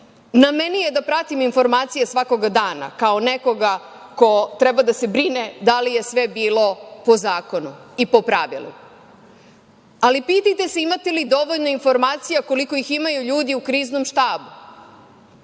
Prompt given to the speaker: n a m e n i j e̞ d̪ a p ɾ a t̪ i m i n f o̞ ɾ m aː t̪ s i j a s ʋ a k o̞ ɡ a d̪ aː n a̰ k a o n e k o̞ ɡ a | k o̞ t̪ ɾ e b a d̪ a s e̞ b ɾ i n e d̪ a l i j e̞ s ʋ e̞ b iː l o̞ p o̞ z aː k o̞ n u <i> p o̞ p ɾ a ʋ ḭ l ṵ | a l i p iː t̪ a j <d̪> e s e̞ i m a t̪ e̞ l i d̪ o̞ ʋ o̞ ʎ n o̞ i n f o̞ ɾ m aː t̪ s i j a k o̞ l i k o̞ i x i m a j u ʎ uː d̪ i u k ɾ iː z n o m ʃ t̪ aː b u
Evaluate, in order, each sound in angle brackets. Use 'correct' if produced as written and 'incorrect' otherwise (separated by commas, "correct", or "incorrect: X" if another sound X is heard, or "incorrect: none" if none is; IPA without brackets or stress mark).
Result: correct, incorrect: t̪